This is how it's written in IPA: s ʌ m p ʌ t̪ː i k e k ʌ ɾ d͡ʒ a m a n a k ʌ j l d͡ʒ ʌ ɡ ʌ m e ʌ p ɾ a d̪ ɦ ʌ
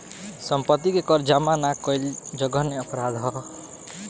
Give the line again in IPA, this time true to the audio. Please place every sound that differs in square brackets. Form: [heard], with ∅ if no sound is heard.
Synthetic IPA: s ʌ m p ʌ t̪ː i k e k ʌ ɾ d͡ʒ a m a n a k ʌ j l d͡ʒ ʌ ɡ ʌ [n] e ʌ p ɾ a d̪ ɦ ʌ

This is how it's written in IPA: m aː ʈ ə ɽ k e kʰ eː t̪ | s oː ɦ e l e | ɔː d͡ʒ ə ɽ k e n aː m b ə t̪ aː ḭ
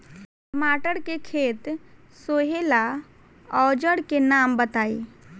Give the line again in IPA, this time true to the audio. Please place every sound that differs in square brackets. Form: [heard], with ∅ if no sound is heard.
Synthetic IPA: m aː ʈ ə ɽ k e kʰ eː t̪ | s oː ɦ e l [a] | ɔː d͡ʒ ə ɽ k e n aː m b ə t̪ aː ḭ

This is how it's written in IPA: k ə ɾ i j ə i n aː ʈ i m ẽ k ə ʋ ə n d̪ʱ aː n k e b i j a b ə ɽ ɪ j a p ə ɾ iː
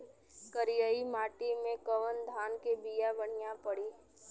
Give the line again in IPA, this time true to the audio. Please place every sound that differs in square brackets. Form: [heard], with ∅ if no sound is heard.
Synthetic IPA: k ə ɾ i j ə i [m] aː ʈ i m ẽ k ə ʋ ə n d̪ʱ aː n k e b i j a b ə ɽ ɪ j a p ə [ɽ] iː

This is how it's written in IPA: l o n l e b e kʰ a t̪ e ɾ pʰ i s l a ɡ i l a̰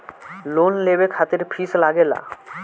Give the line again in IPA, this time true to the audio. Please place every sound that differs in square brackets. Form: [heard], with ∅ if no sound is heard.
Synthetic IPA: l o n l e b e kʰ a t̪ e ɾ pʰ i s l a ɡ [e] l a̰

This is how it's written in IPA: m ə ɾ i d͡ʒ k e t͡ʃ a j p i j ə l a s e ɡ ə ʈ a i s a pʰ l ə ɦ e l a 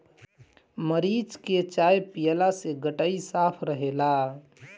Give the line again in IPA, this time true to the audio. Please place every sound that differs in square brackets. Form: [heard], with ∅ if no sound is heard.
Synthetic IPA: m ə ɾ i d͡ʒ k e t͡ʃ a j p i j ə l a s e ɡ ə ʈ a i s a pʰ [ɾ] ə ɦ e l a

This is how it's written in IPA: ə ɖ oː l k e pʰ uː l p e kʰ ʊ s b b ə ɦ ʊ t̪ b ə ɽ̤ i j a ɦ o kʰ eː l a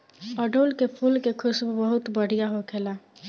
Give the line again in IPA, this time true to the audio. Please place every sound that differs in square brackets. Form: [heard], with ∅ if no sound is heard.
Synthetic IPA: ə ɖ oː l k e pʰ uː l [k] e kʰ ʊ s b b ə ɦ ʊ t̪ b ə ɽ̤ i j a ɦ o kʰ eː l a

